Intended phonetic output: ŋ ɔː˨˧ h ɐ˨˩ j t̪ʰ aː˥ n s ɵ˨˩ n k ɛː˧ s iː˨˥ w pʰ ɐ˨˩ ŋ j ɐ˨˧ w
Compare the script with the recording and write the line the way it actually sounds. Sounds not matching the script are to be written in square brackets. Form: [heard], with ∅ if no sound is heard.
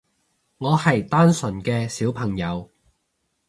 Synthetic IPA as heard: ŋ ɔː˨˧ h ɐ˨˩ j [t̪] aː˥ n s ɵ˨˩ n k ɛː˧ s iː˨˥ w pʰ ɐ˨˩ ŋ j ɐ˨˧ w